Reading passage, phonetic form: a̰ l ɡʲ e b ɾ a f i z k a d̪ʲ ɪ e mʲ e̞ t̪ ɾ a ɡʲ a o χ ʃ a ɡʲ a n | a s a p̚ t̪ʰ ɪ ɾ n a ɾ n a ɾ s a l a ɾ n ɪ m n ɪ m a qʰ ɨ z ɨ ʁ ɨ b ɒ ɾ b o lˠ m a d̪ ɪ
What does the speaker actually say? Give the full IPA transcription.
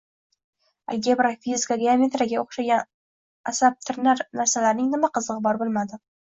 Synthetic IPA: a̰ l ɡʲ e b ɾ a f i z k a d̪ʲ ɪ a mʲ e̞ t̪ ɾ a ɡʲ a o χ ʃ a ɡʲ a n | a s a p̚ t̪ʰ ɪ ɾ n a ɾ n a ɾ s a l a ɾ n ɪ ŋ n ɪ m a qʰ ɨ z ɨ ʁ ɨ b ɒ ɾ b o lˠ m a d̪ ɪ